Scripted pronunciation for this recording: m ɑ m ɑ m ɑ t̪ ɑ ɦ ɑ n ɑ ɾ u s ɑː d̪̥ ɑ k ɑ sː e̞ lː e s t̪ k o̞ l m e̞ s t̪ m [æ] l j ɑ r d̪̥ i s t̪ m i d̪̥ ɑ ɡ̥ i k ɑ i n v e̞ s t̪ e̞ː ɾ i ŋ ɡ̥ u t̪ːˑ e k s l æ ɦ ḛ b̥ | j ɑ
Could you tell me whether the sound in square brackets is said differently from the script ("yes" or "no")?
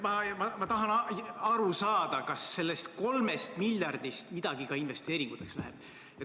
yes